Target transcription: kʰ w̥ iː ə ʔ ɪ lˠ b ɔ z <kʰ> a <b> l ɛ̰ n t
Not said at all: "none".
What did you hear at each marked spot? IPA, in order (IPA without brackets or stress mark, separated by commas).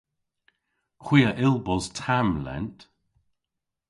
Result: tʰ, m